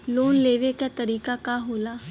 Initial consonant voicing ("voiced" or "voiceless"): voiced